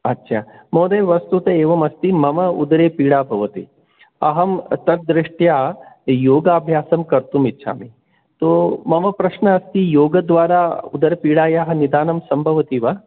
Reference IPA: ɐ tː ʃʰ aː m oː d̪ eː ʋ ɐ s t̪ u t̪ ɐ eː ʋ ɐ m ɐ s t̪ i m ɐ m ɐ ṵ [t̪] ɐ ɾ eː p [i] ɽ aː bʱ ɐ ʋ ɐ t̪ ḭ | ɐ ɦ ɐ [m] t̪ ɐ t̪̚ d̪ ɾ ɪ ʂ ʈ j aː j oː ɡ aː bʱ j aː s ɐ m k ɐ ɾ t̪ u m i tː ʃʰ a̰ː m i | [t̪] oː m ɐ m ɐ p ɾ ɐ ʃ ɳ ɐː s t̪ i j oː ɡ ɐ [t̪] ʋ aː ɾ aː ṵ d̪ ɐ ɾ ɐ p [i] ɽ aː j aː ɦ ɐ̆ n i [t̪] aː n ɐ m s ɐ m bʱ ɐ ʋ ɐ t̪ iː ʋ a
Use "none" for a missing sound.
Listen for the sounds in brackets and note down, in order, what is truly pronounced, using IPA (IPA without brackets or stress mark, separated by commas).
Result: d̪, iː, m, t̪, d̪, iː, d̪